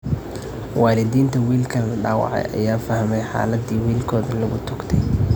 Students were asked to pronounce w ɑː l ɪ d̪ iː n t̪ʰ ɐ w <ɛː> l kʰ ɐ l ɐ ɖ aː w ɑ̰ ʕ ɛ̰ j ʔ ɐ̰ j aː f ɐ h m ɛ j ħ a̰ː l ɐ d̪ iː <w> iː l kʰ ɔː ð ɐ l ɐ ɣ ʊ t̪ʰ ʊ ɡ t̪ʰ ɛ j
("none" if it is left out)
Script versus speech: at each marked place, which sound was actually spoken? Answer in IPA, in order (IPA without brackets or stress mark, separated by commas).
iː, w